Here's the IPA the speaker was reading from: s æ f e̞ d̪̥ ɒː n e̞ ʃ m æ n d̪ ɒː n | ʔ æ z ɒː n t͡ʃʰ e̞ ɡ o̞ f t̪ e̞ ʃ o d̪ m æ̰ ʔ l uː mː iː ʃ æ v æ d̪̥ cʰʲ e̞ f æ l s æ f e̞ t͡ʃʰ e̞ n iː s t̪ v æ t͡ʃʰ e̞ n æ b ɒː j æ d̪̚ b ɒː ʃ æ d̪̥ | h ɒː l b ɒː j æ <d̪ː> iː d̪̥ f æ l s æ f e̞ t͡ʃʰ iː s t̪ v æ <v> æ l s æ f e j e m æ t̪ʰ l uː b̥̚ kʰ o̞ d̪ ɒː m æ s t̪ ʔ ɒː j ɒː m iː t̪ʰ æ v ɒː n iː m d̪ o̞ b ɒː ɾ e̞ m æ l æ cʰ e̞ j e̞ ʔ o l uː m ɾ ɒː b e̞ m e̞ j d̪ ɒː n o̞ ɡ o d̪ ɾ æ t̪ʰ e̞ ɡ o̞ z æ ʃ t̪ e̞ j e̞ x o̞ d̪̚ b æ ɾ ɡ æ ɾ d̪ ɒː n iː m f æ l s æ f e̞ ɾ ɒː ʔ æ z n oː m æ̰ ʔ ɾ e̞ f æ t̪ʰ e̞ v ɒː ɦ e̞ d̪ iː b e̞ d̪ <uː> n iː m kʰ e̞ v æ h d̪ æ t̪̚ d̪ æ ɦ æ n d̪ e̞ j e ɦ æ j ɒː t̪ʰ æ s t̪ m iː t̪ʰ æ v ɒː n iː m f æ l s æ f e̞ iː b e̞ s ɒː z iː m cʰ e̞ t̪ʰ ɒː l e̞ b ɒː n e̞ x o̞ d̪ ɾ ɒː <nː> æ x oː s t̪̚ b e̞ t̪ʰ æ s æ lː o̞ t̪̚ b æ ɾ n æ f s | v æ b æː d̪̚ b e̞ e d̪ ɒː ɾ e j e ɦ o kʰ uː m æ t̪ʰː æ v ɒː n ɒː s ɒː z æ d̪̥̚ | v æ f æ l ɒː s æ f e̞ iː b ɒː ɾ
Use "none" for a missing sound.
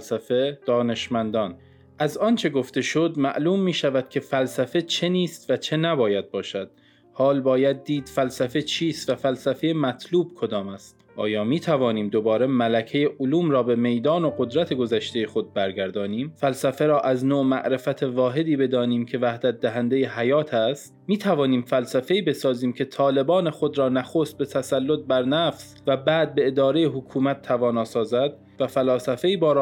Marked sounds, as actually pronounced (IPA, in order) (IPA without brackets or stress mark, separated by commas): d̪ː, f, ɒː, n